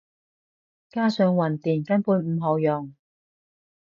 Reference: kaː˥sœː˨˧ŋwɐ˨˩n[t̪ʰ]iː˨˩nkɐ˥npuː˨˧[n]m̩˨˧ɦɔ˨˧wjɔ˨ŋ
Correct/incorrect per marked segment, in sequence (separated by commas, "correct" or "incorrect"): incorrect, correct